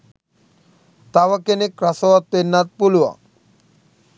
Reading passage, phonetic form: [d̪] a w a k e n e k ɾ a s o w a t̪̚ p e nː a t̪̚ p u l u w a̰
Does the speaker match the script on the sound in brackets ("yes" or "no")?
no